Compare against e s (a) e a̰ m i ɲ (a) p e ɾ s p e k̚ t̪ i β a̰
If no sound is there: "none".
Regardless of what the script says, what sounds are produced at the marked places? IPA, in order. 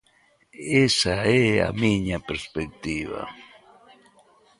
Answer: a, a

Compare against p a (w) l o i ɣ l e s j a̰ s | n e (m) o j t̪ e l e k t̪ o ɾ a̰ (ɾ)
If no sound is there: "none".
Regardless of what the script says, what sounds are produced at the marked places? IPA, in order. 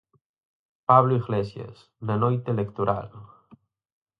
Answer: β, n, l

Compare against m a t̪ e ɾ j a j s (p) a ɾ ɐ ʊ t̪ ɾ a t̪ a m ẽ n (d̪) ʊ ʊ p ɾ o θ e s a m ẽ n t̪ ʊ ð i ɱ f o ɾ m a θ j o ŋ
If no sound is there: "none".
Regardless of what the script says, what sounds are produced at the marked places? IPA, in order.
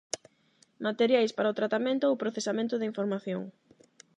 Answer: p, t̪

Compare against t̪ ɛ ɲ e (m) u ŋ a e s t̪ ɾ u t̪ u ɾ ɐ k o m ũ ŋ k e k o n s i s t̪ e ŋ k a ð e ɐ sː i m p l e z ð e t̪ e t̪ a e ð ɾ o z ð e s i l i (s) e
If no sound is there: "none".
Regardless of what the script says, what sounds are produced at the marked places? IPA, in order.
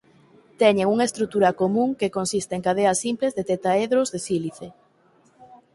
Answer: ŋ, θ

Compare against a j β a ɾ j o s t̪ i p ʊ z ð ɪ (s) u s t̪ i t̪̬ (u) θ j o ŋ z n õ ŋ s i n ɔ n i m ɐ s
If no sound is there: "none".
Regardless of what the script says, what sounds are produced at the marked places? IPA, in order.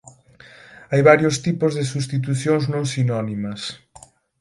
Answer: s, u

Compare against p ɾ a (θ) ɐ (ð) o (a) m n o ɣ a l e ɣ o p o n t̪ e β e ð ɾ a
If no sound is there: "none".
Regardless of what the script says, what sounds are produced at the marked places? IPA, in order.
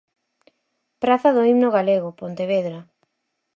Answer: θ, ð, i

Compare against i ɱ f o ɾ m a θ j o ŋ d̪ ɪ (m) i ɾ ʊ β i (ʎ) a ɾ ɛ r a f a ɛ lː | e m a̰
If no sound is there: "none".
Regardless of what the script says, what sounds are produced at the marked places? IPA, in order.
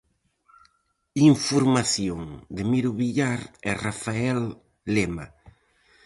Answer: m, ʎ

